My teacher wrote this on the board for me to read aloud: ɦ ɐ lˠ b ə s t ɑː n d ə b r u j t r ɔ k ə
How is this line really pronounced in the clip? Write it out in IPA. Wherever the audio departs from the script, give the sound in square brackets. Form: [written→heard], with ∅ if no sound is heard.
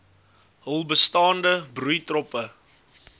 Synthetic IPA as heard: ɦ [ɐ→ə] lˠ b ə s t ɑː n d ə b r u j t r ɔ [k→p] ə